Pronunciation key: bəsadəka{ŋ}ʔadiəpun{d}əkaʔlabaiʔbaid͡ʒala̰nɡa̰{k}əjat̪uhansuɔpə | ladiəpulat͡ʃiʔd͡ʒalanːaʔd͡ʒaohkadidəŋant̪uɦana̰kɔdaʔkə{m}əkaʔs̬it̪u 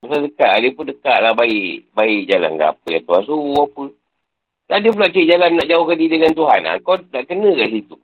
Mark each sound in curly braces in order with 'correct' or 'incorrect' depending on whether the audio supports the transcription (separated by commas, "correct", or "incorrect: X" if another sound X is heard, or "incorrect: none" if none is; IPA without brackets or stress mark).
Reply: incorrect: none, correct, incorrect: p, incorrect: n